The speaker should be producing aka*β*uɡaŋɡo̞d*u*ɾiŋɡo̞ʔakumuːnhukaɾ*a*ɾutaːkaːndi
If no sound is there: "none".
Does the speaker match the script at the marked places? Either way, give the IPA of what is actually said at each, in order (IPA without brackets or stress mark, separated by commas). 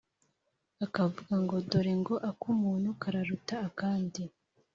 v, o, a